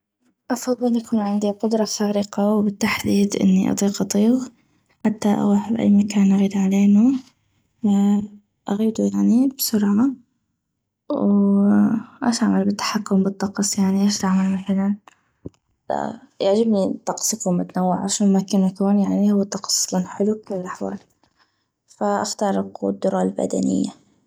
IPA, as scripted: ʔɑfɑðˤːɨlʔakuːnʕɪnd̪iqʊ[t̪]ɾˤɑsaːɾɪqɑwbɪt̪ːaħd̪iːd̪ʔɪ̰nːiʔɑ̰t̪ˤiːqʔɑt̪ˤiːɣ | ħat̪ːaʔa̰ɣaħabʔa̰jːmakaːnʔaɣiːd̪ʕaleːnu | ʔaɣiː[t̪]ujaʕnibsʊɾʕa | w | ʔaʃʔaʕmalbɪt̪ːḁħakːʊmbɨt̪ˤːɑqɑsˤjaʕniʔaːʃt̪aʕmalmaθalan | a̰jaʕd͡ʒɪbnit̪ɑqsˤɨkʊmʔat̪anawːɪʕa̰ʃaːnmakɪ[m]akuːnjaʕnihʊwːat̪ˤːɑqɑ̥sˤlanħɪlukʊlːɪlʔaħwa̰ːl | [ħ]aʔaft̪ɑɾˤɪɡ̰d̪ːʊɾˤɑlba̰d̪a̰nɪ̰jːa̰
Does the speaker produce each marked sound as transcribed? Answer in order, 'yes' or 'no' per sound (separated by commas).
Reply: no, no, no, no